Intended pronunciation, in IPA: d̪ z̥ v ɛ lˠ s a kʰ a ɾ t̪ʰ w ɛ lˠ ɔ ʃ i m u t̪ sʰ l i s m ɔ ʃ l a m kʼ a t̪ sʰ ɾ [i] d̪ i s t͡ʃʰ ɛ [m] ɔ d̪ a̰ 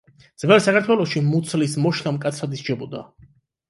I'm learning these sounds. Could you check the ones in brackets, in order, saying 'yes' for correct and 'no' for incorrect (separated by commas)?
no, no